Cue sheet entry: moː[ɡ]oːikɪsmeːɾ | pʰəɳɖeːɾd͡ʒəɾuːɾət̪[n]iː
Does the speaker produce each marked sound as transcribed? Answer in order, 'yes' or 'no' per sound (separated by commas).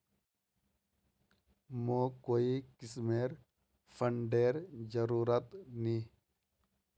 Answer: no, yes